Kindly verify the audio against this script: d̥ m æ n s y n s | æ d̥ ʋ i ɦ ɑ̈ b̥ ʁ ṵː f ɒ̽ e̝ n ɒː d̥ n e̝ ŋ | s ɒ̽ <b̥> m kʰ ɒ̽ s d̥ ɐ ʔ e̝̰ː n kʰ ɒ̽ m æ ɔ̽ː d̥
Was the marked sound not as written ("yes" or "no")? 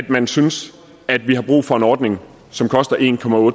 yes